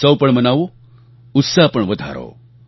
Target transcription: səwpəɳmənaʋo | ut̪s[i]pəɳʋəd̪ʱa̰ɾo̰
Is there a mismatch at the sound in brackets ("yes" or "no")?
yes